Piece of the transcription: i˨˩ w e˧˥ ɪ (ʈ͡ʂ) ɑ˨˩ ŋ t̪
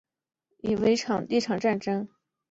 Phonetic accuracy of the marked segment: incorrect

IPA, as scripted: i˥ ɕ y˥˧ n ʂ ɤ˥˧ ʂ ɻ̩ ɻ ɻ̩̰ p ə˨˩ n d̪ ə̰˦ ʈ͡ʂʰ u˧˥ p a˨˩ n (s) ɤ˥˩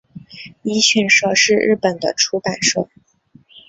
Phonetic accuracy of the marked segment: incorrect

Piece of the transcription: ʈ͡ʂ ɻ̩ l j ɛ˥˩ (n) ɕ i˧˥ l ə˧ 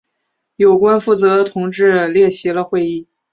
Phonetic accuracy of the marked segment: incorrect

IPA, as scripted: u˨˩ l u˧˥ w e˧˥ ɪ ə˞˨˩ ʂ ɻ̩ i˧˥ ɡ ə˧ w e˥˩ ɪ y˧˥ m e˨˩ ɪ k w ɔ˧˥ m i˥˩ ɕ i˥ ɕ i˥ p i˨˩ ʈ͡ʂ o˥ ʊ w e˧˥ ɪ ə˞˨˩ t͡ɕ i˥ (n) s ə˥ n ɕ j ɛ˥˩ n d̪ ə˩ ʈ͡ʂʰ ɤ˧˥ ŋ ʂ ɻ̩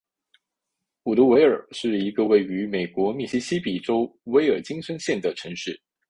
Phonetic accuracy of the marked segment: incorrect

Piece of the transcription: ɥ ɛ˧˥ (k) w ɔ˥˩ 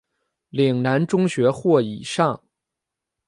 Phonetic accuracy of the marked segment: incorrect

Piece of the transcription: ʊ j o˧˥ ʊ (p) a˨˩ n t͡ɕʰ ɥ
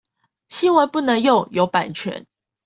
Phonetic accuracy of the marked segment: correct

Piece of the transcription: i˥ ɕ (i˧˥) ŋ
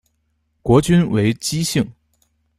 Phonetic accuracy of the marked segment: incorrect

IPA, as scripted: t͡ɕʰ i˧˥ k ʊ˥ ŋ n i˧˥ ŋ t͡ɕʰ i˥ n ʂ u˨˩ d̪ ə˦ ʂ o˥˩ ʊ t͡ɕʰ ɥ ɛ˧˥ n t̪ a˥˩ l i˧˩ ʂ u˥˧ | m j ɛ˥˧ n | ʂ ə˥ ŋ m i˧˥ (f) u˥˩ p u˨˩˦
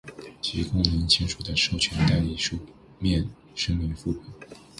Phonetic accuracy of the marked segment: correct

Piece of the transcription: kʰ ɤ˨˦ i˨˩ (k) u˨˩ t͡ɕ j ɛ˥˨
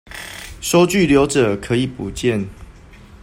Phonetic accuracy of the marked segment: incorrect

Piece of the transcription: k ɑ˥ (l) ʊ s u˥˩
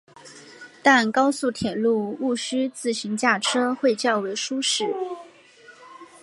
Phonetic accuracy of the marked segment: incorrect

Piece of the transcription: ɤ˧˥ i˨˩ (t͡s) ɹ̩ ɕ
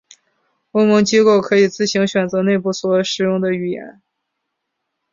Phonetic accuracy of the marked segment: correct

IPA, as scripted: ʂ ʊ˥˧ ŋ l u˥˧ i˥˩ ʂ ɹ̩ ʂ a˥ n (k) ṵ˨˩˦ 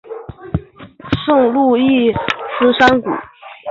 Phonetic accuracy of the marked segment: correct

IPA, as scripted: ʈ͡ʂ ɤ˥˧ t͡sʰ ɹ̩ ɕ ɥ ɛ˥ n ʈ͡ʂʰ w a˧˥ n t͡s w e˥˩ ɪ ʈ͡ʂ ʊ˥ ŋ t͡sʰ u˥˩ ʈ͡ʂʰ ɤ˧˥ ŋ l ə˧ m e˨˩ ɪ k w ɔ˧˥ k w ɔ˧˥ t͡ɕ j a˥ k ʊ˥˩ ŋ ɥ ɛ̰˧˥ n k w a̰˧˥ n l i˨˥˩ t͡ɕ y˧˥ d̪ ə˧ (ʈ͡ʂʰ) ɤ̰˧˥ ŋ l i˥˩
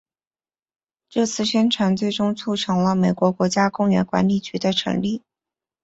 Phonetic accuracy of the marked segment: correct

